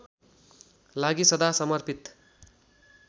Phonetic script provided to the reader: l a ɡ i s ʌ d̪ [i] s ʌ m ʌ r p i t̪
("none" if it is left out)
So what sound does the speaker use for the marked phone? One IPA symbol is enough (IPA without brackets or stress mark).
a